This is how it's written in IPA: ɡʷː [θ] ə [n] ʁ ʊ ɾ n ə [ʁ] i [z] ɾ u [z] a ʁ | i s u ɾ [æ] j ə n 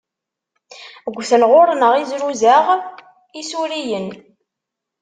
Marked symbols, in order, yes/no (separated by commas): yes, yes, yes, yes, yes, no